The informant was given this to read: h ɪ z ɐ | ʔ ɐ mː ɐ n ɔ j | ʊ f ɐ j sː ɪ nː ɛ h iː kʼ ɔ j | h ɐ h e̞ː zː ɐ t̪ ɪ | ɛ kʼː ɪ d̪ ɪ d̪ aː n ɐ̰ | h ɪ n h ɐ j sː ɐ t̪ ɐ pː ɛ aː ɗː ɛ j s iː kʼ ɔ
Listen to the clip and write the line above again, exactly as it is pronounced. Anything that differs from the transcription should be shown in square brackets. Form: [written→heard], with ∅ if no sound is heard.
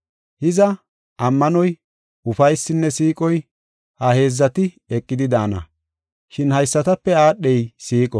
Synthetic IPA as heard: h ɪ z ɐ | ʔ ɐ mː ɐ n ɔ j | ʊ f ɐ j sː ɪ nː ɛ [h→s] iː kʼ ɔ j | h ɐ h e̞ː zː ɐ t̪ ɪ | ɛ kʼː ɪ d̪ ɪ d̪ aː n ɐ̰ | [h→ʃ] ɪ n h ɐ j sː ɐ t̪ ɐ pː ɛ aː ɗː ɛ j s iː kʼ ɔ